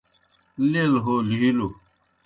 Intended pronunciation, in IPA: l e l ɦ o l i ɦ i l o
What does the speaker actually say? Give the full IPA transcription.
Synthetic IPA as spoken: l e l ɦ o l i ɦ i l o